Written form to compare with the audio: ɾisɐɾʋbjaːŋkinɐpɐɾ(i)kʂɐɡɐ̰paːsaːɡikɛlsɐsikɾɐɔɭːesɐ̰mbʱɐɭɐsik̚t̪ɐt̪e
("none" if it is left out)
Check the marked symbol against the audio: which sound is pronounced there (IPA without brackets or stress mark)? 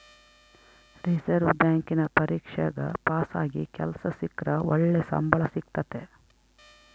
iː